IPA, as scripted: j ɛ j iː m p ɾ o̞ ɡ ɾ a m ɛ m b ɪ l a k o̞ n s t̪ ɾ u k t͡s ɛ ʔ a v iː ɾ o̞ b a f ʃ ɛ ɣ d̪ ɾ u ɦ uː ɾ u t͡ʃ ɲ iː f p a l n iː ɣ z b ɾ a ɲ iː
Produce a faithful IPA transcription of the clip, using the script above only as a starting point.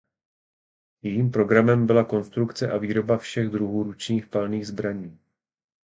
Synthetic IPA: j ɛ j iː m p ɾ o̞ ɡ ɾ a m ɛ m b ɪ l a k o̞ n s t̪ ɾ u k t͡s ɛ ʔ a v iː ɾ o̞ b a f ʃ ɛ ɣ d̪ ɾ u ɦ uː ɾ u t͡ʃ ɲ iː x p a l n iː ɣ z b ɾ a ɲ iː